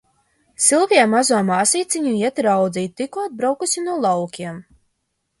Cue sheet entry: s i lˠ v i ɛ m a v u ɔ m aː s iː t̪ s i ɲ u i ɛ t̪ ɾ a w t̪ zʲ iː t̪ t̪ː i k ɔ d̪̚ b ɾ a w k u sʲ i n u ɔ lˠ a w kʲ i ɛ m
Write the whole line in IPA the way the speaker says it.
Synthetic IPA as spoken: s i lˠ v i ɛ m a z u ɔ m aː s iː t̪ s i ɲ u i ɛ t̪ ɾ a w d̪ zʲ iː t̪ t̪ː i k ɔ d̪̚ b ɾ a w k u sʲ i n u ɔ lˠ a w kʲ i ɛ m